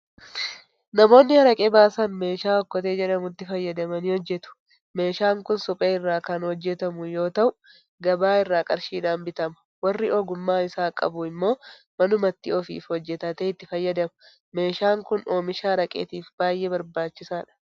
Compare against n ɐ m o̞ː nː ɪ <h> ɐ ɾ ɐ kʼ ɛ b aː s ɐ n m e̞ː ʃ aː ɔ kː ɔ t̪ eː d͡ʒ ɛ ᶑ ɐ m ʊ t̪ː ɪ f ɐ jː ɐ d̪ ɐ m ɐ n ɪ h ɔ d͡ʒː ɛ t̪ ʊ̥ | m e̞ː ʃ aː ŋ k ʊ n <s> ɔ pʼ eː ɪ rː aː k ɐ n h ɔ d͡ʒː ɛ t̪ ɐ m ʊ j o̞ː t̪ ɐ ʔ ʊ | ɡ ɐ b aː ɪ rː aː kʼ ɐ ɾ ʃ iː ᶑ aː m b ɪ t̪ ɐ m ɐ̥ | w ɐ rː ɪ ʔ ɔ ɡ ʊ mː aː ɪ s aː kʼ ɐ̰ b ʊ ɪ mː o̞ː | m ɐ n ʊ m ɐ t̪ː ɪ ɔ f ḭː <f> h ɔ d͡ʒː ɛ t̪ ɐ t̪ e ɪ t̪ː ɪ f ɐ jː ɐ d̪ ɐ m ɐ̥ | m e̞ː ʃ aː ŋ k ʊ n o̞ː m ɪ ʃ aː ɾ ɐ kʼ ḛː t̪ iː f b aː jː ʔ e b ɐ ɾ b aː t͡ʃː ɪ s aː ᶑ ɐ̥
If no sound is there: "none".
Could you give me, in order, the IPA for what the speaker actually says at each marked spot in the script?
h, s, f

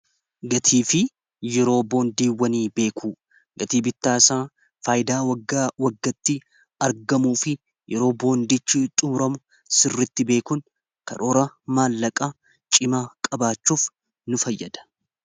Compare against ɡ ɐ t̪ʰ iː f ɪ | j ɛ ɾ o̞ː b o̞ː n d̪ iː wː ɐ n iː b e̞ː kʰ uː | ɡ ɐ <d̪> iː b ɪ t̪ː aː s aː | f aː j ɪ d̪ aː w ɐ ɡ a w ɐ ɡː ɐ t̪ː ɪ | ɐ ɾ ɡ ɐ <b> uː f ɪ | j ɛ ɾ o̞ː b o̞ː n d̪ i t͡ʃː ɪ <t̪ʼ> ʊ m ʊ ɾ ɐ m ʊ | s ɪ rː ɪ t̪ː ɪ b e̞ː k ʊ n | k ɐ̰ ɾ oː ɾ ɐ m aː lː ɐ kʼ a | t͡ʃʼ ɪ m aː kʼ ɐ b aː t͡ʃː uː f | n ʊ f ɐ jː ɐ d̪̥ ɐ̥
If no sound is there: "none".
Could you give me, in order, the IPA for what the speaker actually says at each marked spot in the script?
t̪, m, t̪ʼ

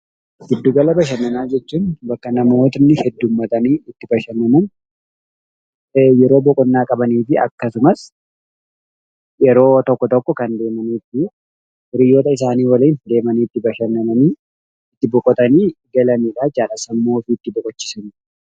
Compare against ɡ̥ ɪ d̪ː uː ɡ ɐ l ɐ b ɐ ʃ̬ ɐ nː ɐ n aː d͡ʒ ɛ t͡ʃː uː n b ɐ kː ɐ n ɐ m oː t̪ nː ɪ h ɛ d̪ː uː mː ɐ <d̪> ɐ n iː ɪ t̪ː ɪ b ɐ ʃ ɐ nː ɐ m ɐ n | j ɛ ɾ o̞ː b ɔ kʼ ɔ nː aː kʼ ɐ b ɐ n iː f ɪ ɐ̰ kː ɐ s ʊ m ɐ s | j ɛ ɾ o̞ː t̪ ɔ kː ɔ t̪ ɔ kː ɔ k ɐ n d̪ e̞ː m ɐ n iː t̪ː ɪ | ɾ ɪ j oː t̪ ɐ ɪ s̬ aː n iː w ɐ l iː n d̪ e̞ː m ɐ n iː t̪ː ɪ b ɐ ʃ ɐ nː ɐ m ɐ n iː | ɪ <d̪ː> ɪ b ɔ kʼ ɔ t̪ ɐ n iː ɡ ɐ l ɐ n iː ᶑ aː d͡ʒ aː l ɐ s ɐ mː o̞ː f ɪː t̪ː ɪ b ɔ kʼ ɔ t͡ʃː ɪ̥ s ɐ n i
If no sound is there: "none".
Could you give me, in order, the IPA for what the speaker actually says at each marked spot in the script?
t̪, t̪ː

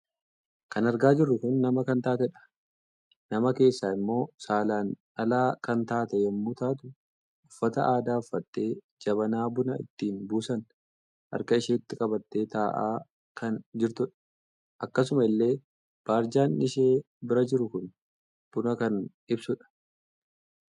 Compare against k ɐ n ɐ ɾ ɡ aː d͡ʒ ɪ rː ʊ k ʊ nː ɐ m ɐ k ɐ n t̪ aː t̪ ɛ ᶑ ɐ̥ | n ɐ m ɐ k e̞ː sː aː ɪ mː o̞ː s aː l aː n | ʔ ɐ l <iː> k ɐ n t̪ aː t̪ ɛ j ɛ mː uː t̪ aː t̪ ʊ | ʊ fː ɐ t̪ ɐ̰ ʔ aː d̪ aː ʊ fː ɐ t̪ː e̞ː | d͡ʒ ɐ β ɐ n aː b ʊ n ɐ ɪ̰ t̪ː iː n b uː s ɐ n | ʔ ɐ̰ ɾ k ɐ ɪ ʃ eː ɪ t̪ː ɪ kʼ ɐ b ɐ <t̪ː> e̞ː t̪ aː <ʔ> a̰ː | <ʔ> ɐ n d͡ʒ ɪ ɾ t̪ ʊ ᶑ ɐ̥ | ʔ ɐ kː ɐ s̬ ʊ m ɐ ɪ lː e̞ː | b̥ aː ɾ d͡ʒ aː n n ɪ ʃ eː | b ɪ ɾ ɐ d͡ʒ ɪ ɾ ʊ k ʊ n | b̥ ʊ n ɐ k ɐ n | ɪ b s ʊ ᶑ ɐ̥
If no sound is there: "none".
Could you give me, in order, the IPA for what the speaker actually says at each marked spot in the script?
aː, t̪ː, ʔ, k

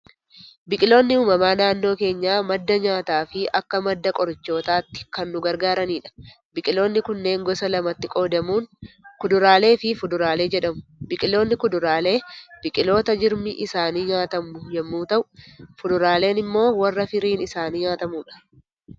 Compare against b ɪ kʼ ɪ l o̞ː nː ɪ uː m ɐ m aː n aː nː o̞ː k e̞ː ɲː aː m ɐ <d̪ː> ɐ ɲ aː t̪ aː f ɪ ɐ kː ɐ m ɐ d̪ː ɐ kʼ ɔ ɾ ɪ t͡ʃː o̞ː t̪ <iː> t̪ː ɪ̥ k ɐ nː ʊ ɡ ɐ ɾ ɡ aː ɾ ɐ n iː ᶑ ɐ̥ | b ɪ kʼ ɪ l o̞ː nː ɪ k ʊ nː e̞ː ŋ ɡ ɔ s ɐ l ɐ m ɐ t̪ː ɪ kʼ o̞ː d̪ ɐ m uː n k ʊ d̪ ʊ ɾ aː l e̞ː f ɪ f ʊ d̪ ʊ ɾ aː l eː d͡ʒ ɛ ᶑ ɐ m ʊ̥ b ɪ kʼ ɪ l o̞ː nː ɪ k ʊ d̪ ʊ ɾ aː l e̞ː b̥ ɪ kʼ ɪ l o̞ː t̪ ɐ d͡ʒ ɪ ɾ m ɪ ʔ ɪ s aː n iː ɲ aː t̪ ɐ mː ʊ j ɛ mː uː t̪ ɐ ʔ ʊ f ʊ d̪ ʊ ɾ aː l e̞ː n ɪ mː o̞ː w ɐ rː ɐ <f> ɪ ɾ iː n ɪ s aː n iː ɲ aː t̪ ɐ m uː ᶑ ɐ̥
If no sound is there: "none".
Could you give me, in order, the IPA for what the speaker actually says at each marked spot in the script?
d̪ː, aː, f

